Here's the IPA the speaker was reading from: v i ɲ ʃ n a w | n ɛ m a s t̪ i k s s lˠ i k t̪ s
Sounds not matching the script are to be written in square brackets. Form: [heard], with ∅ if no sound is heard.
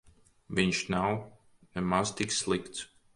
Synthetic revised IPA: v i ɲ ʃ n a w | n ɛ m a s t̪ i k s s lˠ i k t̪ s